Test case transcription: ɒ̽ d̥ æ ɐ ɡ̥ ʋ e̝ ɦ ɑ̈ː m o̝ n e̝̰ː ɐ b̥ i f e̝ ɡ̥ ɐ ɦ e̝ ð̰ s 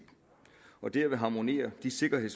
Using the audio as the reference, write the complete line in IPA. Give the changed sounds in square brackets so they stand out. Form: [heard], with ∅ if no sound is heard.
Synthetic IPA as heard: ɒ̽ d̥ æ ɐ [∅] ʋ e̝ ɦ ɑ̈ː m o̝ n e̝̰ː ɐ [d̥] i [s] e̝ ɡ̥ ɐ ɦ e̝ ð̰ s